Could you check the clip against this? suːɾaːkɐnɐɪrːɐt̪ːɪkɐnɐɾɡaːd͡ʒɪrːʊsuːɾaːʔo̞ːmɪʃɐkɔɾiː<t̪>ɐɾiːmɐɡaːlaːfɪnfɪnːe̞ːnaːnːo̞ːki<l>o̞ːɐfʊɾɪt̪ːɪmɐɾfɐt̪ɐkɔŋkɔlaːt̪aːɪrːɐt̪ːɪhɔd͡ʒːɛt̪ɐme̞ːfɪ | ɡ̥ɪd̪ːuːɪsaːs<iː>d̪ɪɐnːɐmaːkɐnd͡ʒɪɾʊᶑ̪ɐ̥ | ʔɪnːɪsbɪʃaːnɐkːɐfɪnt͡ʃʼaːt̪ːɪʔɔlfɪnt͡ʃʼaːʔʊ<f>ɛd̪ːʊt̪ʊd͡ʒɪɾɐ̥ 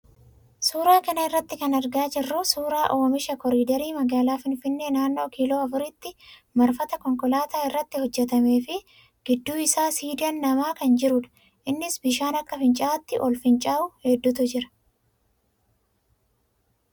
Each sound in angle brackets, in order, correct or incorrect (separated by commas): incorrect, correct, correct, incorrect